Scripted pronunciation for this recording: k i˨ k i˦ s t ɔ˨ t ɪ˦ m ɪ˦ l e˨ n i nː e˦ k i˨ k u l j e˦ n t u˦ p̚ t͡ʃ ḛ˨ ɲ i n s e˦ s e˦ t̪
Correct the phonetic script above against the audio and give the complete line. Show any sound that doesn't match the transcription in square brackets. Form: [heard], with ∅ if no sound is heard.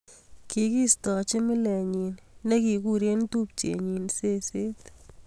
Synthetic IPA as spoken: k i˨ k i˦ s t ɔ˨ [t͡ʃ] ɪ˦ m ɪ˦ l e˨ [ɲ] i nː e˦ k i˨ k u [ɾ] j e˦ n t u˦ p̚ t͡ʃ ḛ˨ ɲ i n s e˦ s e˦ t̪